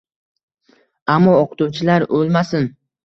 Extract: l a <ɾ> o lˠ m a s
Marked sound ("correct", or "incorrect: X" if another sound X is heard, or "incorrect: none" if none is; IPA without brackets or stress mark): correct